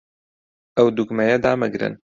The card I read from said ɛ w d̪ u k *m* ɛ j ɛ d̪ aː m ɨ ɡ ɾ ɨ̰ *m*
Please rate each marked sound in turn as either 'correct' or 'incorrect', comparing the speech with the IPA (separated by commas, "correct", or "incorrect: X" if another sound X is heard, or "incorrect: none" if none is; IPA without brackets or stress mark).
correct, incorrect: n